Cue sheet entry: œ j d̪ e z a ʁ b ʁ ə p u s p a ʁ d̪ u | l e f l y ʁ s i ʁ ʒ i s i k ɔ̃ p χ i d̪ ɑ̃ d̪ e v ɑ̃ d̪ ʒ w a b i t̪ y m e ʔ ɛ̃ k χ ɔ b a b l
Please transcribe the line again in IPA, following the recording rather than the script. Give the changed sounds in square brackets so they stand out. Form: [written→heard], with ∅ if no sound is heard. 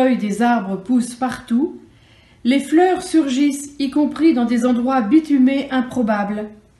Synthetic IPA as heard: œ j d̪ e z a ʁ b ʁ ə p u s p a ʁ [d̪→t̪] u | l e f l [y→œ] ʁ s [i→y] ʁ ʒ i s i k ɔ̃ p χ i d̪ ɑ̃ d̪ e [v→z] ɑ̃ d̪ [ʒ→ʁ] w a b i t̪ y m e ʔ ɛ̃ [k→p] χ ɔ b a b l